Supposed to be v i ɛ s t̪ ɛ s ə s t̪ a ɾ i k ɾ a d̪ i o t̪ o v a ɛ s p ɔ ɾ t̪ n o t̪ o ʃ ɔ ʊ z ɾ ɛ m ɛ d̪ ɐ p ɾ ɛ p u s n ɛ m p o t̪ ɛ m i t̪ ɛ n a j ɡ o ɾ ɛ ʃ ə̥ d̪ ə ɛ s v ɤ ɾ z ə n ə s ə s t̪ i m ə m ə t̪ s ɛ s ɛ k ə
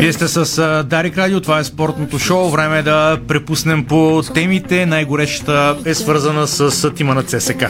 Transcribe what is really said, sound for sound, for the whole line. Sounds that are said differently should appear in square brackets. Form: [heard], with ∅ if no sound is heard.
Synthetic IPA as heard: v i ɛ s t̪ ɛ s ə s [d̪] a ɾ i k ɾ a d̪ i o t̪ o v a ɛ s p ɔ ɾ t̪ n o t̪ o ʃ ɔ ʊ [v] ɾ ɛ m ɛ d̪ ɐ p ɾ ɛ p u s n ɛ m p o t̪ ɛ m i t̪ ɛ n a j ɡ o ɾ ɛ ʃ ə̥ [t̪] ə ɛ s v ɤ ɾ z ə n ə s ə s t̪ i m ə [n] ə t̪ s ɛ s ɛ k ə